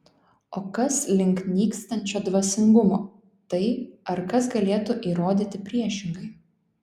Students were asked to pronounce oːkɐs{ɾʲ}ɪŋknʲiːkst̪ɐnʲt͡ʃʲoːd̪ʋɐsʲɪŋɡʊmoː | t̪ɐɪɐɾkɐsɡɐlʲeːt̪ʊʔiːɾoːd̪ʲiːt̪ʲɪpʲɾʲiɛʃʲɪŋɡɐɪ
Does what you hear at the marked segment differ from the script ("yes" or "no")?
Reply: yes